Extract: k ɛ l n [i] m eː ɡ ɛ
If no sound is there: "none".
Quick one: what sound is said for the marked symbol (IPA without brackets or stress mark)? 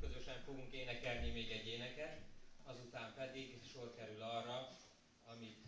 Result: i